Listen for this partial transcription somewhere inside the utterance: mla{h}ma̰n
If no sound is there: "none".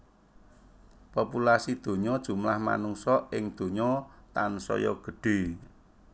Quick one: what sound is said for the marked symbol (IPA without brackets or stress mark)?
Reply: h